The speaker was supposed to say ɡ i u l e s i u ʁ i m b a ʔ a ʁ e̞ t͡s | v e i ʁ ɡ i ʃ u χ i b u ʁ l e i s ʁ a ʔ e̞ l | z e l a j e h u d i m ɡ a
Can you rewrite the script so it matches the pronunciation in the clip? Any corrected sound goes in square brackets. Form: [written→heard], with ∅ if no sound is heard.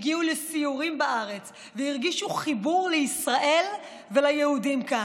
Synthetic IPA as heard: ɡ i u l e s i u ʁ i m b a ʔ a ʁ e̞ t͡s | v e i ʁ ɡ i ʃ u χ i b u ʁ l e i s ʁ a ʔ e̞ l | [z→v] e l a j e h u d i m [ɡ→k] a

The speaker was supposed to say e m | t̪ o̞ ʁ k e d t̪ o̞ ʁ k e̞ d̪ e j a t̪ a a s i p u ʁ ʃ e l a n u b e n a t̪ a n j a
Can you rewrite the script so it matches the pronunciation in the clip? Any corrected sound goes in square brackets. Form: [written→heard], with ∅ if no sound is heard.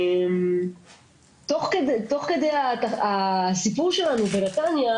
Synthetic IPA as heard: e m | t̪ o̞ [ʁ→χ] k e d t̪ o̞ [ʁ→χ] k e̞ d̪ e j a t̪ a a s i p u ʁ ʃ e l a n u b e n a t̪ a n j a

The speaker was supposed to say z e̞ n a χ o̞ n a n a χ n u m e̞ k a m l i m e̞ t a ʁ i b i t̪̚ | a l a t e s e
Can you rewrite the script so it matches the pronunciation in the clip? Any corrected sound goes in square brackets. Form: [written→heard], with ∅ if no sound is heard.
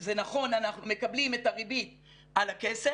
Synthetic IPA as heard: z e̞ n a χ o̞ n a n a χ n u m e̞ k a [m→b] l i m e̞ t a ʁ i b i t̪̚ | a l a [t→k] e s e

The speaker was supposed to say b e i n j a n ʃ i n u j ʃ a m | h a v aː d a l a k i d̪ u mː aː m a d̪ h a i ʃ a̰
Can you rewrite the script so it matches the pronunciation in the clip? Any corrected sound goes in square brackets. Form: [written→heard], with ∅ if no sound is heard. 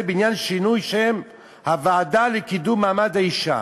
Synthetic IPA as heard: b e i n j a n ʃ i n u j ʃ [a→e] m | h a v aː d a l [a→e] k i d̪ u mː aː m a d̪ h a i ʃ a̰

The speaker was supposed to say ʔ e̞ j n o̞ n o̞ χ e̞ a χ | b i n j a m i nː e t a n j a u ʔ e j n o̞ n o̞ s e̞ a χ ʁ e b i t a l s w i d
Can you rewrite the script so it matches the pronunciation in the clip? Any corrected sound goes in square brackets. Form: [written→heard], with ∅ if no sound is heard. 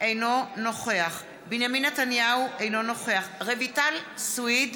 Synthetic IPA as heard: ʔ e̞ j n o̞ n o̞ χ e̞ a χ | b i n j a m i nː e t a n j a u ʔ e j n o̞ n o̞ [s→χ] e̞ a χ ʁ e [b→v] i t a l s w i d

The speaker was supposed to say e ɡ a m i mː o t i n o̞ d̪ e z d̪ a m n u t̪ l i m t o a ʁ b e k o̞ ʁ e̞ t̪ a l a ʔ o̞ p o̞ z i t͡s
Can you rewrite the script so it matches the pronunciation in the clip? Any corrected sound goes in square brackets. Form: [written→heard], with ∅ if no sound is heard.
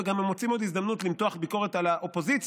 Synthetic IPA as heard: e ɡ a m [i→e] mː o [t→t͡s] i [n→m] o̞ d̪ [e→i] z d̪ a m n u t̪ l i m t o a [ʁ→χ] b [e→i] k o̞ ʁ e̞ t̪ a l a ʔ o̞ p o̞ z i t͡s

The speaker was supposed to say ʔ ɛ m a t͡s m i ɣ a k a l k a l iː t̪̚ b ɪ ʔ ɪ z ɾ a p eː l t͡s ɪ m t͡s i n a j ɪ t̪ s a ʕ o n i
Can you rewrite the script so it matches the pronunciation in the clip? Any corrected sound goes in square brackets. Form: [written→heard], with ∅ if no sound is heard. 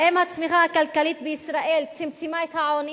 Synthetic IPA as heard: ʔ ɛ m a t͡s m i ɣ a k a l k a l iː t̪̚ b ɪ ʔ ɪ [z→s] ɾ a [p→ʔ] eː l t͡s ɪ m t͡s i [n→m] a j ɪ t̪ [s→h] a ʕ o n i

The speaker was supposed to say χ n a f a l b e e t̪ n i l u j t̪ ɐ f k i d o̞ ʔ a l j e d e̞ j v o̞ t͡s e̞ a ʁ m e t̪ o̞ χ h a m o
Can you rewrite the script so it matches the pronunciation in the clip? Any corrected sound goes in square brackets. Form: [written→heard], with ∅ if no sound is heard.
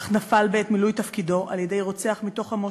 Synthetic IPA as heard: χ n a f a l b e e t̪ [n→m] i l u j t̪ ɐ f k i d o̞ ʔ a l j e d e̞ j [v→ʁ] o̞ t͡s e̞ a [ʁ→χ] m [e→i] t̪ o̞ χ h a m o

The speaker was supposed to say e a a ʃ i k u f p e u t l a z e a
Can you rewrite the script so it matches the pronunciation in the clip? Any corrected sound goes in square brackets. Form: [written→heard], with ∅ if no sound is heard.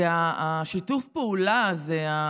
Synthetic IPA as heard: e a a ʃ i [k→t] u f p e u [t→∅] l a z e a

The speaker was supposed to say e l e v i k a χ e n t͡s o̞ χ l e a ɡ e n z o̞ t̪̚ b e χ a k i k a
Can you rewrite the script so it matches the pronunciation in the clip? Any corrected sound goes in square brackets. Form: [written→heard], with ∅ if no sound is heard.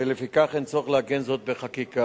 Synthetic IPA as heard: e l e [v→f] i k a χ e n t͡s o̞ χ l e a ɡ e n z o̞ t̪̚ b e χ a k i k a

